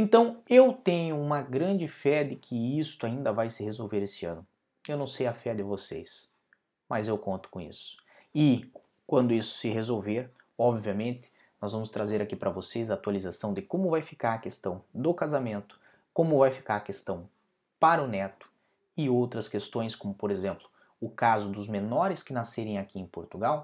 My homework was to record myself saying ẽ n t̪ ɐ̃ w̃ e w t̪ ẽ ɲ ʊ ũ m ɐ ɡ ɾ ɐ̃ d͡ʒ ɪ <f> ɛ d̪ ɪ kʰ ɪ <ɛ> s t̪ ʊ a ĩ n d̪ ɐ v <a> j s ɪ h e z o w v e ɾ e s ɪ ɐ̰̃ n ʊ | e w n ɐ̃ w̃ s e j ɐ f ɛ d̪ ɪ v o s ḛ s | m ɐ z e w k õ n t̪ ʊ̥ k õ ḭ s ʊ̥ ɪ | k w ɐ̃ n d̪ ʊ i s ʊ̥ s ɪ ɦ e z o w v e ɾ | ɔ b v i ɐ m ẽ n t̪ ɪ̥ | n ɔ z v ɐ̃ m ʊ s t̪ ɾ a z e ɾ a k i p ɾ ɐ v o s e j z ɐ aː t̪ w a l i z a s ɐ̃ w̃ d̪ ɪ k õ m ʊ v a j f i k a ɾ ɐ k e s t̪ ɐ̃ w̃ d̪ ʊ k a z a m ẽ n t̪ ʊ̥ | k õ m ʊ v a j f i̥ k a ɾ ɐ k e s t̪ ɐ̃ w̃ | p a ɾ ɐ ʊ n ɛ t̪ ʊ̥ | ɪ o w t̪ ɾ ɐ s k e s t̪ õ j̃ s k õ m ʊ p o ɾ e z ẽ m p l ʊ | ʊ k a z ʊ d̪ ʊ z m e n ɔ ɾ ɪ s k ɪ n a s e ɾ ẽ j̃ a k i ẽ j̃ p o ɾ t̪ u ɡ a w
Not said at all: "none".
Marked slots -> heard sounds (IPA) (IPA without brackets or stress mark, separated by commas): f, i, a